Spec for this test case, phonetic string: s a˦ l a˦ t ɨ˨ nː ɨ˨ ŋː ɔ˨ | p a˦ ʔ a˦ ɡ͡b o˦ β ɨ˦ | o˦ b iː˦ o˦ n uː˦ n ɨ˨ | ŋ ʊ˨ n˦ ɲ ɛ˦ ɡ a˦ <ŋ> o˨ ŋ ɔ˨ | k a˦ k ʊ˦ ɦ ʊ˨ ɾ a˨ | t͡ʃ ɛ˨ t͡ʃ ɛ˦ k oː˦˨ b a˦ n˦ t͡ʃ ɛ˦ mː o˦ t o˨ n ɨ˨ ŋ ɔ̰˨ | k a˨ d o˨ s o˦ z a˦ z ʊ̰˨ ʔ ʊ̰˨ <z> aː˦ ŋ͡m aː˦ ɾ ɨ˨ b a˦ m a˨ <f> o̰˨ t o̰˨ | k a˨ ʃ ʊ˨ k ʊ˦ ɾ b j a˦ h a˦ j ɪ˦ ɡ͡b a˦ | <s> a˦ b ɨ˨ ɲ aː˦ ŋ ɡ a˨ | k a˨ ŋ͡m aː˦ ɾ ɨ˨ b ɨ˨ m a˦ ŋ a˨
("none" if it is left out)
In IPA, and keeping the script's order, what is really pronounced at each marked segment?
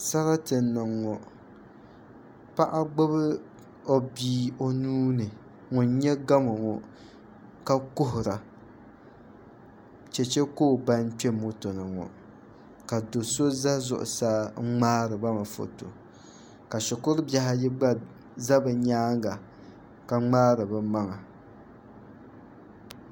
m, s, f, z

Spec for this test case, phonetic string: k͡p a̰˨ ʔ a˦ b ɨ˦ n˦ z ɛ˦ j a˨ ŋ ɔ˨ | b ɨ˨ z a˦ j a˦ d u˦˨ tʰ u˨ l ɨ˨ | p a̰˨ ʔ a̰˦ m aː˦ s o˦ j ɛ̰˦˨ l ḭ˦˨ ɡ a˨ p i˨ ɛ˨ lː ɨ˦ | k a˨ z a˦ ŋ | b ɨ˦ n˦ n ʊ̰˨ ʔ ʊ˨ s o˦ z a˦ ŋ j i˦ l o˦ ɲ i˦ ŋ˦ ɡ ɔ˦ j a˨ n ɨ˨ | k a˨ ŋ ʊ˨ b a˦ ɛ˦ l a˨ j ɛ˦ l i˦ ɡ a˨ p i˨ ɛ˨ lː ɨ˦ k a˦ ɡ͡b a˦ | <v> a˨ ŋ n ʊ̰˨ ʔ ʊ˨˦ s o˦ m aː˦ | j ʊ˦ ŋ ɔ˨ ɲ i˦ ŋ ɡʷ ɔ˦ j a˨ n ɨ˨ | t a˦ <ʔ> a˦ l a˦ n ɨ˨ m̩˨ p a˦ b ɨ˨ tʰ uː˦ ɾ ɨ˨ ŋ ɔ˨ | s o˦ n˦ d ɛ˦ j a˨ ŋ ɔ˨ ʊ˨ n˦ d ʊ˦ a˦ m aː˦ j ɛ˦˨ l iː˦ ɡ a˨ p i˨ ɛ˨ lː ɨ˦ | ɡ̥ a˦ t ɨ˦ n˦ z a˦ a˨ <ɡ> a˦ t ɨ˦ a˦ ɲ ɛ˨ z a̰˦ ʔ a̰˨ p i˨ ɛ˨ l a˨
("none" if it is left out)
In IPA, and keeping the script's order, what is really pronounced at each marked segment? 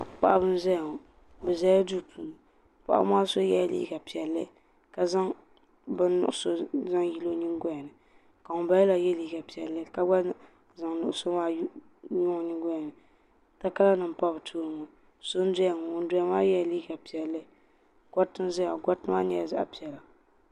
z, k, ɡ

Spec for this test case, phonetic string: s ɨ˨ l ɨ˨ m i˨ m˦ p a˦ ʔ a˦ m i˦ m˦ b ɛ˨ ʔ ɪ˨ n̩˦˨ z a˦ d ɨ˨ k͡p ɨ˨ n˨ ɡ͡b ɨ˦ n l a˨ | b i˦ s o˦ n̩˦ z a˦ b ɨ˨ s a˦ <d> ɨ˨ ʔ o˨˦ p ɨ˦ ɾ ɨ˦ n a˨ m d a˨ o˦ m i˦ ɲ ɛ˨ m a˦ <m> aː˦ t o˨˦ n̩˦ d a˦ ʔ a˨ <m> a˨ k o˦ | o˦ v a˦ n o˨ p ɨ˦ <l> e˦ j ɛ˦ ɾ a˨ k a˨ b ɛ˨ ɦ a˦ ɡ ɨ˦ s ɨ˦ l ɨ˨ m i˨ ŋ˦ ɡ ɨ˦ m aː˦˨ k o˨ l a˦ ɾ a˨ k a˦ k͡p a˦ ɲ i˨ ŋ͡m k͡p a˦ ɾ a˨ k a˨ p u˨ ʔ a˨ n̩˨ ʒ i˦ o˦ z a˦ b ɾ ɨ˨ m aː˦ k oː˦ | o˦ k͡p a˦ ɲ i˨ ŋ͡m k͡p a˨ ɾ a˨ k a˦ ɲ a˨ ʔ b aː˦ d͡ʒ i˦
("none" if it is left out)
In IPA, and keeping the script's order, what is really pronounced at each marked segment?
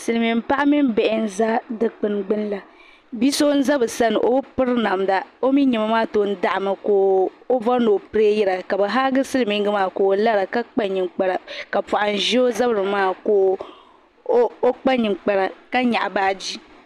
n, m, m, ɾ

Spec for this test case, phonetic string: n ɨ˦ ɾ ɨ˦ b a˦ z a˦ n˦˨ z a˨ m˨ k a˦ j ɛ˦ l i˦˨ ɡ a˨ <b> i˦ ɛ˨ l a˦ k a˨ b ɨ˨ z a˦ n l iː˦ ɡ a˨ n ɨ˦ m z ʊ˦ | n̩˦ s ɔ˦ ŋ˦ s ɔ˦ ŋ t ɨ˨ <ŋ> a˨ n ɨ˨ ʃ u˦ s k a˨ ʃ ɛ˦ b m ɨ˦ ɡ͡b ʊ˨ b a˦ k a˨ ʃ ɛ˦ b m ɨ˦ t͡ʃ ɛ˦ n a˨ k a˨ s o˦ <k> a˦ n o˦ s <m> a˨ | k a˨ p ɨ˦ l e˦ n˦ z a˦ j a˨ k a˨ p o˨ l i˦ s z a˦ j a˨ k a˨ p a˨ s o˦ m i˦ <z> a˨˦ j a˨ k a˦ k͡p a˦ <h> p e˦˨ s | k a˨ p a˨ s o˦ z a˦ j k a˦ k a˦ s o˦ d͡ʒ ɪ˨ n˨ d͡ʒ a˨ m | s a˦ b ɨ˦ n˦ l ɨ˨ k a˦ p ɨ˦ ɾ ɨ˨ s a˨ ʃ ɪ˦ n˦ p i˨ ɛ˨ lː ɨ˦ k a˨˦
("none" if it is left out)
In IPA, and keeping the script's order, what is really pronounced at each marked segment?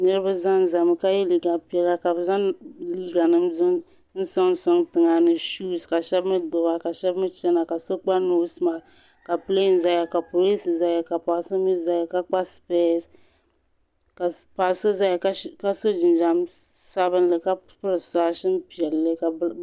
p, ŋ, k͡p, m, z, s

